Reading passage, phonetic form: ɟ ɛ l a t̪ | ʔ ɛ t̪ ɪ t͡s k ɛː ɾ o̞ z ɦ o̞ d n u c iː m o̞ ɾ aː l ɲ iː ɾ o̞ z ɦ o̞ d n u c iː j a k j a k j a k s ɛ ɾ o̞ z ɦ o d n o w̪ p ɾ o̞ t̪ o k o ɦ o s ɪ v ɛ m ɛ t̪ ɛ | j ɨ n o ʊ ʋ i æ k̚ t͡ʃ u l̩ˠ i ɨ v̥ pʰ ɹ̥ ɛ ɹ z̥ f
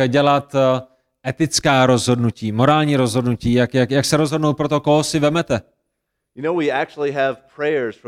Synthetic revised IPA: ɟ ɛ l a t̪ | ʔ ɛ t̪ ɪ t͡s k aː ɾ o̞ z ɦ o̞ d n u c iː m o̞ ɾ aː l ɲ iː ɾ o̞ z ɦ o̞ d n u c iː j a k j a k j a k s ɛ ɾ o̞ z ɦ o d n o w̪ p ɾ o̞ t̪ o k o ɦ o s ɪ v ɛ m ɛ t̪ ɛ | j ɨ n o ʊ w i æ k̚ t͡ʃ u l̩ˠ i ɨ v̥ pʰ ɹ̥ ɛ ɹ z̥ f